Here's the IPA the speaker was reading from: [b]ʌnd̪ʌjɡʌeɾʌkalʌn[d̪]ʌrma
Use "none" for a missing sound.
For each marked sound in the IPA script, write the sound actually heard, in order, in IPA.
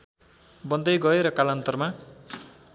b, t̪

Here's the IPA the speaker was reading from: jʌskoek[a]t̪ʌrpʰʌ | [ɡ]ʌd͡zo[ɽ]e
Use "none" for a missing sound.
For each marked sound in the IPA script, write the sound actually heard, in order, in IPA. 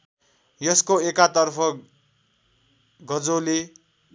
a, ɡ, l

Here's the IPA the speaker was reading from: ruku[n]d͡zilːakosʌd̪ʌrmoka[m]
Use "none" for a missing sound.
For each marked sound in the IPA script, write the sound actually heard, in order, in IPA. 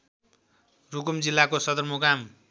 m, m

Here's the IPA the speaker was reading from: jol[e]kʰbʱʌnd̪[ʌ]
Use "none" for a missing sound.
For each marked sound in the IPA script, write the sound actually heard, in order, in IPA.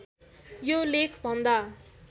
e, a

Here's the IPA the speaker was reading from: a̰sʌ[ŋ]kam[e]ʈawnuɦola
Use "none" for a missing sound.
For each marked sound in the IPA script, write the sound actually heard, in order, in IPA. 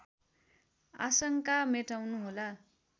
ŋ, e

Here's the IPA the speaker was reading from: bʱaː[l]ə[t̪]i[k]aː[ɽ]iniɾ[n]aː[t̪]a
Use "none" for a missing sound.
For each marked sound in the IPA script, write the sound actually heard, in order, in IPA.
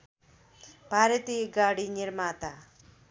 ɾ, t̪, ɡ, ɽ, m, t̪

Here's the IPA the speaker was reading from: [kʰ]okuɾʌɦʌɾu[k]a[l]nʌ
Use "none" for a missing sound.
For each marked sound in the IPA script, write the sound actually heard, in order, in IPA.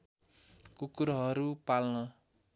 k, p, l

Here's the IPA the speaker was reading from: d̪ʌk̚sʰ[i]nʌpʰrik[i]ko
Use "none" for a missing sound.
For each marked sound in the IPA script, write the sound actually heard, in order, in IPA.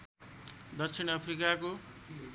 i, a

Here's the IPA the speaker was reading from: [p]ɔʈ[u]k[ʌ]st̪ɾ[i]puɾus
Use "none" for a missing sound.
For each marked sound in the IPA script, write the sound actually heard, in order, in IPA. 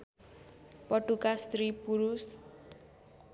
p, u, a, i

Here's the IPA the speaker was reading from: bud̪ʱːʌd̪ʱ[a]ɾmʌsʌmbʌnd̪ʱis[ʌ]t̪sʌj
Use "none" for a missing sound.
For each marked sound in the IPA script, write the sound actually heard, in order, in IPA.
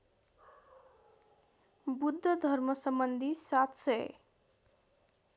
ʌ, a

